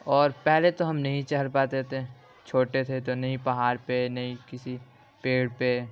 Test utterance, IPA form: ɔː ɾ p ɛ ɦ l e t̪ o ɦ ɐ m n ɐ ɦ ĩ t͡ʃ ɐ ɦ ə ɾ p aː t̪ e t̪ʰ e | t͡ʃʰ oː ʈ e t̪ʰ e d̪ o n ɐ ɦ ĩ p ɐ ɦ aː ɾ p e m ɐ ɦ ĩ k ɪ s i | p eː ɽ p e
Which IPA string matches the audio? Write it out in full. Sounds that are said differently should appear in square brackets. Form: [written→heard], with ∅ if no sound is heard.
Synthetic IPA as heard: ɔː ɾ p ɛ ɦ l e t̪ o ɦ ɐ m n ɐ ɦ ĩ t͡ʃ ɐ ɦ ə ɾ p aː t̪ e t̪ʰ e | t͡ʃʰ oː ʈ e t̪ʰ e [d̪→t̪] o n ɐ ɦ ĩ p ɐ ɦ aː ɾ p e [m→n] ɐ ɦ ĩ k ɪ s i | p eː ɽ p e